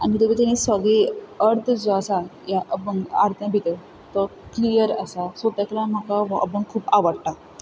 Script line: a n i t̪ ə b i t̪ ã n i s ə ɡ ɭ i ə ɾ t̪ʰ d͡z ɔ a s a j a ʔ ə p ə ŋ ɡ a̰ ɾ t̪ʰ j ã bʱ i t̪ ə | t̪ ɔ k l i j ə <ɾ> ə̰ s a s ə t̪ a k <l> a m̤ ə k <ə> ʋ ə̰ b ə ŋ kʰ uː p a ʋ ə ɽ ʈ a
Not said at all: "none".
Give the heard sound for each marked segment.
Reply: ɾ, l, a

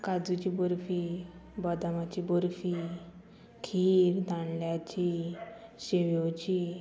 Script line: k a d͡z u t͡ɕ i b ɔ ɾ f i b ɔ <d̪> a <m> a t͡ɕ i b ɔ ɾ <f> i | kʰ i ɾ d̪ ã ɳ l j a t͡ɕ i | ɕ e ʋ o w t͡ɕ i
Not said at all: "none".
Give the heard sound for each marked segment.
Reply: d̪, m, f

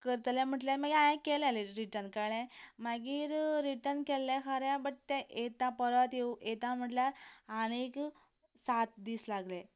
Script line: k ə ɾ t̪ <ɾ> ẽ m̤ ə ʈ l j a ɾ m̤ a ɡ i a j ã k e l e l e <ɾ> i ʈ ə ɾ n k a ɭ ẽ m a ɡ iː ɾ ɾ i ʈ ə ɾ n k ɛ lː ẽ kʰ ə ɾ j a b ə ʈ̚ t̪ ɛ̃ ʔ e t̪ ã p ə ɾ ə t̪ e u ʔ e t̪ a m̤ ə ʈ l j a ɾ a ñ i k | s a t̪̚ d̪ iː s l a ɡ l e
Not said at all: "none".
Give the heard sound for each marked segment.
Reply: l, ɾ

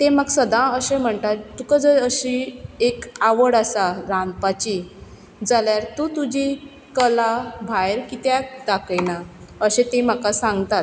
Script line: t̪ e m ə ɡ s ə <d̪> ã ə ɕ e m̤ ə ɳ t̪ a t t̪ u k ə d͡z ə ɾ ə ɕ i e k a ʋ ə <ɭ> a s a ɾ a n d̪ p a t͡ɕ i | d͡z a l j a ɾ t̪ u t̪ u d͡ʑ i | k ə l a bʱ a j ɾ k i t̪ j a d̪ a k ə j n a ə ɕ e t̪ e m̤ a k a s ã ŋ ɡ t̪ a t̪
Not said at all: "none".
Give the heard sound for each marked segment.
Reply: d̪, ɽ

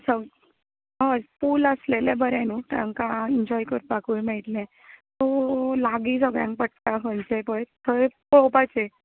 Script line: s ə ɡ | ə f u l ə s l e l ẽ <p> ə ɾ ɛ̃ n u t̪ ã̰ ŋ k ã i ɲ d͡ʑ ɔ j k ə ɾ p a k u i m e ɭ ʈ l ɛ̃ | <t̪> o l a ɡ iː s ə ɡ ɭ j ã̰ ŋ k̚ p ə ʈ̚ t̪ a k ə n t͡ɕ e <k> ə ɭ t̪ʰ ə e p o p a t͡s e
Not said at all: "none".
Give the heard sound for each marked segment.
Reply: b, t̪, p

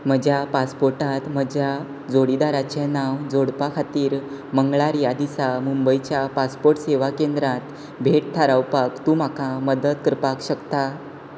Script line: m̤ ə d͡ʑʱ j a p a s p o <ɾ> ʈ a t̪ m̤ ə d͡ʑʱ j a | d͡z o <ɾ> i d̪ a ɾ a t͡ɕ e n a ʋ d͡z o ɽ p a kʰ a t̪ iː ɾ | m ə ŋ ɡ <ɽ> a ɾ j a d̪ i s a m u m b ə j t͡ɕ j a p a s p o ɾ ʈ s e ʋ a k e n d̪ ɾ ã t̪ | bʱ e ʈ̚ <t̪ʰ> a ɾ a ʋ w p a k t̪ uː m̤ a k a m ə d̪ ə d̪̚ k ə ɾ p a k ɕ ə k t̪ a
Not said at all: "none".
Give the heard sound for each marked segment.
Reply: ɾ, ɽ, ɭ, t̪ʰ

